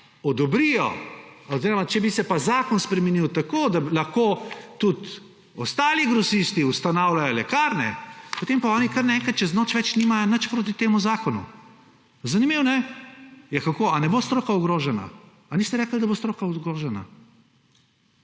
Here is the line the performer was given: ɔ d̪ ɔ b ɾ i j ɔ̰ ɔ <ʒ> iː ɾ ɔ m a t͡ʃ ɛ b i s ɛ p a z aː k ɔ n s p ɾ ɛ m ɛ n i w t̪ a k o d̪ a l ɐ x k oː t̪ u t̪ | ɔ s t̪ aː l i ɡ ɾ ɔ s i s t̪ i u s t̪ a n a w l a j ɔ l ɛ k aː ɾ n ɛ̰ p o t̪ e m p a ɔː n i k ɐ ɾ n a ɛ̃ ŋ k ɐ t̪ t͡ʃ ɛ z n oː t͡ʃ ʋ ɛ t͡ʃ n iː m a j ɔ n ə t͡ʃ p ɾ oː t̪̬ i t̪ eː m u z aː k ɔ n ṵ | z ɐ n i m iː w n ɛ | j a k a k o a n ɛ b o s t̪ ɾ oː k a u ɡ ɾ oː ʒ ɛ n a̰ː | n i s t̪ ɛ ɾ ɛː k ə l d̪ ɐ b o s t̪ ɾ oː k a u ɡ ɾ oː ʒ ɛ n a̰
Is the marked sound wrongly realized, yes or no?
yes